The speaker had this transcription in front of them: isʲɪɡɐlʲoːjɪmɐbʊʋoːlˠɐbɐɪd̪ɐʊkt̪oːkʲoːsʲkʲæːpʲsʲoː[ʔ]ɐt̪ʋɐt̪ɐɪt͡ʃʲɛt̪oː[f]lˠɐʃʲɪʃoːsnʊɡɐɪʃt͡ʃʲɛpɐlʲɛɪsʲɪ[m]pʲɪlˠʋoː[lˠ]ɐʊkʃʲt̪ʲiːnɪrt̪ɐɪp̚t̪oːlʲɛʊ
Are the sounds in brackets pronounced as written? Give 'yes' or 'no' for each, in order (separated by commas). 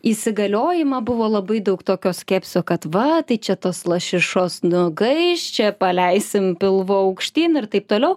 no, no, yes, no